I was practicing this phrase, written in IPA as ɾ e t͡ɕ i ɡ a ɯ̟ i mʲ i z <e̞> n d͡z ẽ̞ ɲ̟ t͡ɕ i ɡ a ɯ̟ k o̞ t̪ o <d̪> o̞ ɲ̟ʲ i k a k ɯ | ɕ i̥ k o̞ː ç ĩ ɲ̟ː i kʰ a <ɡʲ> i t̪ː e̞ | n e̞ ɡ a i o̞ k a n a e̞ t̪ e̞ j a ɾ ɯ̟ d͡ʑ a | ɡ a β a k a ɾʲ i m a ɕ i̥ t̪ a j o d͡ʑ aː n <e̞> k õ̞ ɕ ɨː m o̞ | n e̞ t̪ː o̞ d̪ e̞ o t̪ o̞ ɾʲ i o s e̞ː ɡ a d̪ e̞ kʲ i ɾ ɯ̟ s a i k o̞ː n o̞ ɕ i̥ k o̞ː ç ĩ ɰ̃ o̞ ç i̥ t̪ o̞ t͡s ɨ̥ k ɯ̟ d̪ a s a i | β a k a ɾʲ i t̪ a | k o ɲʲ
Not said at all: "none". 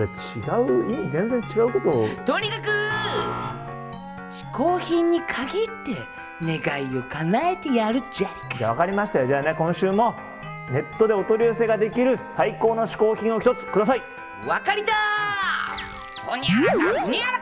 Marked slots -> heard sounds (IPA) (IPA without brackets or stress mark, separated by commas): ẽ̞, t̪, ɡʲ, e̞